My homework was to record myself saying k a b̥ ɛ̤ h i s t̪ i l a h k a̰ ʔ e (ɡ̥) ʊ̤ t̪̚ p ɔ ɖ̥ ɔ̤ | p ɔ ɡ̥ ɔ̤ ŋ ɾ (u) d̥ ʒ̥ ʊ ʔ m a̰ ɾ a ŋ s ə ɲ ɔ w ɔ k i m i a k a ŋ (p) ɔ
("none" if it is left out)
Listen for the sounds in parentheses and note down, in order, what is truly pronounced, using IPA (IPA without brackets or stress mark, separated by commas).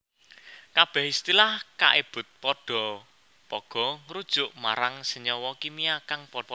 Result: b̥, u, p